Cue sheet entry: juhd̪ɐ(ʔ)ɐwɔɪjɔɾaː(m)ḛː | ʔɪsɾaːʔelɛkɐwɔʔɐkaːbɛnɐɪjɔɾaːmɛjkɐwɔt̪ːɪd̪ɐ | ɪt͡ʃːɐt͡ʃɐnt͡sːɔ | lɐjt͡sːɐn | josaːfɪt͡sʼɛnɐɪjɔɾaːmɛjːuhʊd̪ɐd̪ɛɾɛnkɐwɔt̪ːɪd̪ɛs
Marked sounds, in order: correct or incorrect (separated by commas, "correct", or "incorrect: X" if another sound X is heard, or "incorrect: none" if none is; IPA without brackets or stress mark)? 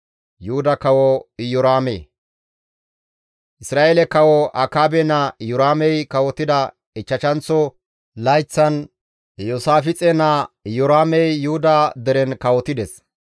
incorrect: k, correct